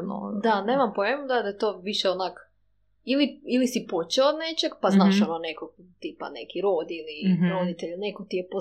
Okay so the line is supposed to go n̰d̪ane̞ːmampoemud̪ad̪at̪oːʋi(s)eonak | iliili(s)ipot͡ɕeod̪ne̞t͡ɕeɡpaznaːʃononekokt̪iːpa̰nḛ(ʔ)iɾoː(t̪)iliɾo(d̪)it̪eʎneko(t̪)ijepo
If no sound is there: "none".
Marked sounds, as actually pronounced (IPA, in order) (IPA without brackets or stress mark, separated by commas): ʃ, s, k, d̪, d̪, t̪